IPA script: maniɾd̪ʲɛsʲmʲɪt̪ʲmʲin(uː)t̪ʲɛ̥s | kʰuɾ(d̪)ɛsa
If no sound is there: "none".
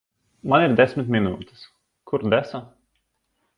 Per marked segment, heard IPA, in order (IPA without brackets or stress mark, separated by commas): uː, d̪